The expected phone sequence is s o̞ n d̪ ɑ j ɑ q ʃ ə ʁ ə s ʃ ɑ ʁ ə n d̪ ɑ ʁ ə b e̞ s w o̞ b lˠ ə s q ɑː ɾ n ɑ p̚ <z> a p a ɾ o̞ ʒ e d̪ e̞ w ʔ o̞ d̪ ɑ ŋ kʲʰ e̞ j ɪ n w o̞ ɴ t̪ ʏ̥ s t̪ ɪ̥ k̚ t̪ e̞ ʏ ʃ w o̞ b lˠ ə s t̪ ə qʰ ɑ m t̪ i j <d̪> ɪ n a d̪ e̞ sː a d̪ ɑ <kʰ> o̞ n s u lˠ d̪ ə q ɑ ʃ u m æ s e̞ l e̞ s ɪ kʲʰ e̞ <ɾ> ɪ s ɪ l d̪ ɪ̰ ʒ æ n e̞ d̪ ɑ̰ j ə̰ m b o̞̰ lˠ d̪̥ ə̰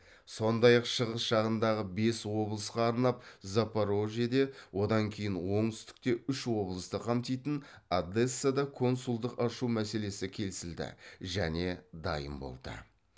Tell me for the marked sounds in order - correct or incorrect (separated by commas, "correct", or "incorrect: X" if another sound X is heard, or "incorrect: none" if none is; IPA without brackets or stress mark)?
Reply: correct, incorrect: t̪, correct, incorrect: l